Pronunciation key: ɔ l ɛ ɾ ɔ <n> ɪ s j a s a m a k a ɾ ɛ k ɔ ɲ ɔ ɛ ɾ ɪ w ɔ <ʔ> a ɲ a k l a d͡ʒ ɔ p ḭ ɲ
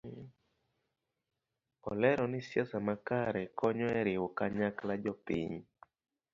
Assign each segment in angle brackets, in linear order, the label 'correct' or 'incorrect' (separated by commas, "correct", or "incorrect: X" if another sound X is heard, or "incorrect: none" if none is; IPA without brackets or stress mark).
correct, incorrect: k